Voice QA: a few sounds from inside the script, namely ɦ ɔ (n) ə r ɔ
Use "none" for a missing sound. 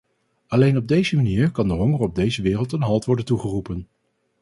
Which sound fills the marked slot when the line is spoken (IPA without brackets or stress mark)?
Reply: ŋ